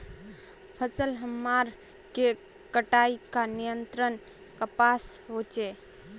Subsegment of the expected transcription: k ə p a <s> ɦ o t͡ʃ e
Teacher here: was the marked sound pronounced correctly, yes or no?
yes